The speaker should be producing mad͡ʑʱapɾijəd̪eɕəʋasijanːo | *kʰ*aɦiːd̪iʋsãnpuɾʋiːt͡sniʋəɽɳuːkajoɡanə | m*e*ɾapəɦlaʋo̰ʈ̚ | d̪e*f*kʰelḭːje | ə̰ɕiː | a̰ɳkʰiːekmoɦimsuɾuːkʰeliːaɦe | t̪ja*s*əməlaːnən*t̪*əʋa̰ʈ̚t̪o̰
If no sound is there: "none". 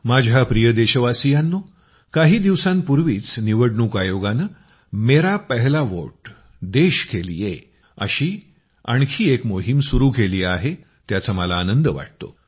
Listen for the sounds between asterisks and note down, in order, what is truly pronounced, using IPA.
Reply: k, e, ɕ, t͡s, d̪

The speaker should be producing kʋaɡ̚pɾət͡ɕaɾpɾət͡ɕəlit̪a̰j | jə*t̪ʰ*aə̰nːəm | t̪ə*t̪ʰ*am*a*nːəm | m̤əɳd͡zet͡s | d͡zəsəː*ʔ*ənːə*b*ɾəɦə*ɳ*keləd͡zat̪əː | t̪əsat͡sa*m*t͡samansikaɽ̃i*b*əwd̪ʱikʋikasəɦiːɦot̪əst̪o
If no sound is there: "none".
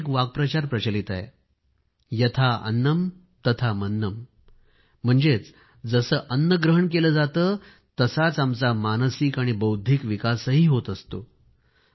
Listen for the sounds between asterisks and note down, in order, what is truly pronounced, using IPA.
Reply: t̪ʰ, t̪ʰ, ə, ʔ, ɡ, ɳ, m, b

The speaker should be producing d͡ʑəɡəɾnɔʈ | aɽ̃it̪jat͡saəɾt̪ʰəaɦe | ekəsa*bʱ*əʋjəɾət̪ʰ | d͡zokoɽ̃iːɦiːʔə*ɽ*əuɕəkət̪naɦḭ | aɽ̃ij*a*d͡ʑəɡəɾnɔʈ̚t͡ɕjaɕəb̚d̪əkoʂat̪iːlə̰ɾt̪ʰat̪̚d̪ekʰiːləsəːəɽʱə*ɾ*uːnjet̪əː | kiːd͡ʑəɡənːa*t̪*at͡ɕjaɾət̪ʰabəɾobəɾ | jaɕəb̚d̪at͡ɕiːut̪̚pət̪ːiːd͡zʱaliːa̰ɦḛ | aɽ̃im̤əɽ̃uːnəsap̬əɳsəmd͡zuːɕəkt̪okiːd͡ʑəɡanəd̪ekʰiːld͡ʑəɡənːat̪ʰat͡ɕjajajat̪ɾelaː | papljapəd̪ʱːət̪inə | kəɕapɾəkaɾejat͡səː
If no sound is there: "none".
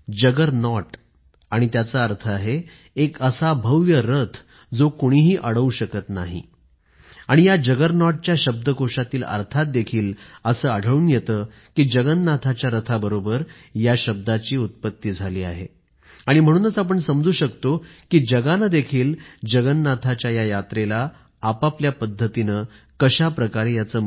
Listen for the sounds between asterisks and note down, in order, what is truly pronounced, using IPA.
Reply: bʱ, ɽ, a, ɭ, t̪ʰ

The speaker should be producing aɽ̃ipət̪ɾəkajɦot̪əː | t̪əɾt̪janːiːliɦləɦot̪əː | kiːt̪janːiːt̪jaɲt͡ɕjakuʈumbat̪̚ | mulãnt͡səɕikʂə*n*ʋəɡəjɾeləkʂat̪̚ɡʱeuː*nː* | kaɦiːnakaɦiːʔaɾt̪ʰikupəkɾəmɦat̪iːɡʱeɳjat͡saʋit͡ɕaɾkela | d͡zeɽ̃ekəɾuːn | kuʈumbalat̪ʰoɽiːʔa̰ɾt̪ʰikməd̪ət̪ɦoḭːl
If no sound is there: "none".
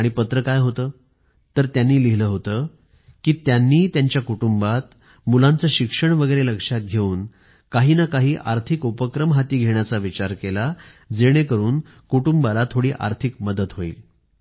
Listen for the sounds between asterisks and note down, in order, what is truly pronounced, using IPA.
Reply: ɳ, n

